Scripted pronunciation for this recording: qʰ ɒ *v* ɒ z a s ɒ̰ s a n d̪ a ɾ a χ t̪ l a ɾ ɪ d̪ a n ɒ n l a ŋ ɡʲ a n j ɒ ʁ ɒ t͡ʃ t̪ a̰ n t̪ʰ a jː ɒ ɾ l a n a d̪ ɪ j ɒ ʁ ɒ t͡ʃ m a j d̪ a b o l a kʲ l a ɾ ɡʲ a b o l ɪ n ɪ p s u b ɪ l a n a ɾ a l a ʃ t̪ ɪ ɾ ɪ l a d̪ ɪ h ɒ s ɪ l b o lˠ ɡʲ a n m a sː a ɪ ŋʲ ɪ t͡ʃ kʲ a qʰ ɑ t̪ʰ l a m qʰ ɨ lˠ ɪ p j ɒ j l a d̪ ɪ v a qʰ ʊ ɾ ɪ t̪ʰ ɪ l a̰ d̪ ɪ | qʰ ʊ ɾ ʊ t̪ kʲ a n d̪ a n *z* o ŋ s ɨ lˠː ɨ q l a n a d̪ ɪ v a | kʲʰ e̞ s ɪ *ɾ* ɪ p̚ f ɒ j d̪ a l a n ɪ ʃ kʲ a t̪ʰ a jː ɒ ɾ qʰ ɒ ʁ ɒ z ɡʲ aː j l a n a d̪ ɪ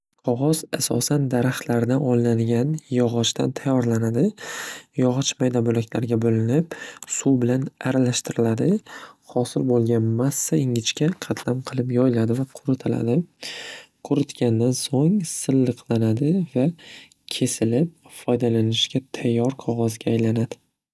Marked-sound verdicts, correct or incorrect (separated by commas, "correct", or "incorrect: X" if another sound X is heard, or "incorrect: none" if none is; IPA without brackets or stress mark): incorrect: ʁ, incorrect: s, incorrect: l